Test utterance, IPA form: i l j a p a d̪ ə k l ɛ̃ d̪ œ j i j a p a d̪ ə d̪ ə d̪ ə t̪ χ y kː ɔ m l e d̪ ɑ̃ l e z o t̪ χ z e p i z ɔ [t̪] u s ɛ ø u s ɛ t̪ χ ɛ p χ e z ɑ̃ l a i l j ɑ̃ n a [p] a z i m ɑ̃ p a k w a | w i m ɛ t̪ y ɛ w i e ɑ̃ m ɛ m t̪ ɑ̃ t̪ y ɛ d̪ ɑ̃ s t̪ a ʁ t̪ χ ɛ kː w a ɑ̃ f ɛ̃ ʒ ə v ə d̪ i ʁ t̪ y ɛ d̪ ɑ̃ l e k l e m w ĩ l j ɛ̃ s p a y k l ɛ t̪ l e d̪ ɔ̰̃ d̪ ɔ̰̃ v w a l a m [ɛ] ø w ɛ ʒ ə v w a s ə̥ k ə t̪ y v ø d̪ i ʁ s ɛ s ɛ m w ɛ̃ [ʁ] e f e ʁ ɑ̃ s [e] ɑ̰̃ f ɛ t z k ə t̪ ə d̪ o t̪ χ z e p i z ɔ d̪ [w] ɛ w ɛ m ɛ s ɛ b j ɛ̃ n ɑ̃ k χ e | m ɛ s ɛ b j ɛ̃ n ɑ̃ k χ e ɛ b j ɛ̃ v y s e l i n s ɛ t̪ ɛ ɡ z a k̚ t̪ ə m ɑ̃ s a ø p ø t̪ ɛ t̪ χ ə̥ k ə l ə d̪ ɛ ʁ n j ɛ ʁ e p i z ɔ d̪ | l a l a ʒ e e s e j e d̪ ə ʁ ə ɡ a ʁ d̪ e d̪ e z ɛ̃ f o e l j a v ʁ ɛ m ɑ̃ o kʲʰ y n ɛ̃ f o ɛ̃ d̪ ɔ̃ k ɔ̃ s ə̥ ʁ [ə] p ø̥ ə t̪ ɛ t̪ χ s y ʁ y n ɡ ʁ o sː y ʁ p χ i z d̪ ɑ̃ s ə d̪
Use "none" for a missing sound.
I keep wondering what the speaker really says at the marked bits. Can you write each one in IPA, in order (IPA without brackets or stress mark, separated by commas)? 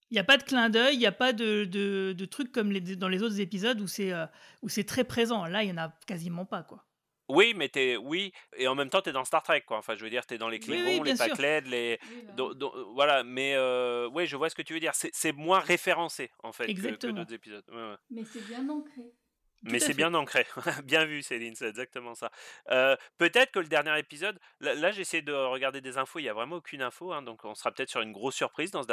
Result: d̪, k, ɛ, ʁ, e, w, a